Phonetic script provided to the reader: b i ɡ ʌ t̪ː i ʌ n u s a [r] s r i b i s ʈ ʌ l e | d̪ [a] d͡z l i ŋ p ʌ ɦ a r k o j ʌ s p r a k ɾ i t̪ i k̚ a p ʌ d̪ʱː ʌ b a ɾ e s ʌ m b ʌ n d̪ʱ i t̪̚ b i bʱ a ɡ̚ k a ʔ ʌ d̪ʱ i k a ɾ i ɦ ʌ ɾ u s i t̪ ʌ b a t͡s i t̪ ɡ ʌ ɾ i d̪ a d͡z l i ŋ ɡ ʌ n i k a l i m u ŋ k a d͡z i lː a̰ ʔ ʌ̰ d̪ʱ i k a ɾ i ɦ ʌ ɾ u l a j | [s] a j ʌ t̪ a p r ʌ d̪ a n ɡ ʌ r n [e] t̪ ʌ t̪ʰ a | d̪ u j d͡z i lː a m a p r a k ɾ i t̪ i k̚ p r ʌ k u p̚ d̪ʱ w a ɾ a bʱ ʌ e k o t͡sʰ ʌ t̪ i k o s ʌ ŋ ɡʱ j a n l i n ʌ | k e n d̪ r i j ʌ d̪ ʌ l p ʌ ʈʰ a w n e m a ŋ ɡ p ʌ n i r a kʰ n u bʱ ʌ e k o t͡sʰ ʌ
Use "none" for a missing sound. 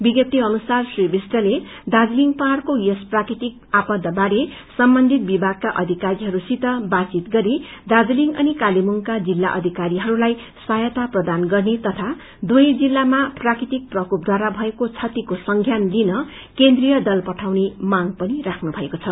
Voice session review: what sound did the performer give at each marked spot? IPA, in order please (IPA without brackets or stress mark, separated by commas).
r, a, s, e